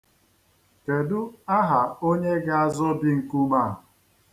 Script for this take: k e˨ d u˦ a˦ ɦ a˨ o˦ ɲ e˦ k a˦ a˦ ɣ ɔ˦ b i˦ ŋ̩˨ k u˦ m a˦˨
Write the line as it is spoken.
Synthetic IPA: k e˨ d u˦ a˦ ɦ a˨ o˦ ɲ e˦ ɡ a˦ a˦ z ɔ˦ b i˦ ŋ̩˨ k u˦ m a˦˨